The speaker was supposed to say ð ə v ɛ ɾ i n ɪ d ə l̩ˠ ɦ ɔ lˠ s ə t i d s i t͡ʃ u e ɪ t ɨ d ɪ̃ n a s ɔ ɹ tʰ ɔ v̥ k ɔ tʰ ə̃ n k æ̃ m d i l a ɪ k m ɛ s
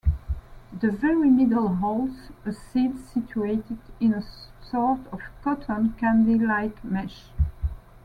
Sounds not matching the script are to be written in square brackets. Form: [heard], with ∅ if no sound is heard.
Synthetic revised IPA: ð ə v ɛ [ɹ] i [m] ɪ d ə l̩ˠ ɦ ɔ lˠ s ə [s] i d s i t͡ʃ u e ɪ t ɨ d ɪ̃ n [ə] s ɔ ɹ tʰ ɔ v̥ k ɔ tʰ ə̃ n k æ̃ [n] d i l a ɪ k m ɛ [ʃ]